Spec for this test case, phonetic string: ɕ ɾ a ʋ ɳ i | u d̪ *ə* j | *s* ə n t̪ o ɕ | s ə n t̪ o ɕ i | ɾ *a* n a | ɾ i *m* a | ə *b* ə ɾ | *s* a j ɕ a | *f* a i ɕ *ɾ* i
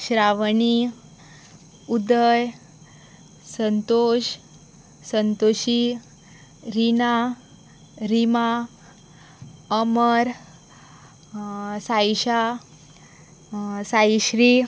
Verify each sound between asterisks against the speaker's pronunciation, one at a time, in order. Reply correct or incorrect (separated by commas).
correct, correct, incorrect, correct, incorrect, correct, incorrect, correct